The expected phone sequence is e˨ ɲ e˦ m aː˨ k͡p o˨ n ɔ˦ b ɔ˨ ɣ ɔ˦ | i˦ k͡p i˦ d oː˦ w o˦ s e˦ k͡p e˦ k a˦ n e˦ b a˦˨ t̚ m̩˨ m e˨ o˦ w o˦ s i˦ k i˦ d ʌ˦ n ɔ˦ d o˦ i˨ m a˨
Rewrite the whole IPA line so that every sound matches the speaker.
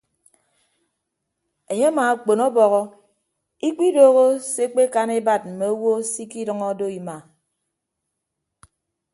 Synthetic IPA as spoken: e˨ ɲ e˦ m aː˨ k͡p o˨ n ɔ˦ b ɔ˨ ɣ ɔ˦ | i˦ k͡p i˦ d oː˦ ɣ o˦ s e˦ k͡p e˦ k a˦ n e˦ b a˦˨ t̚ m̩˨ m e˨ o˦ w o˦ s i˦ k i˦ d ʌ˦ ŋ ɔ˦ d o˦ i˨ m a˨